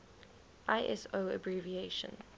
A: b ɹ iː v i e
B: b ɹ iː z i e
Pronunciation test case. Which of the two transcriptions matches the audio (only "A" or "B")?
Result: A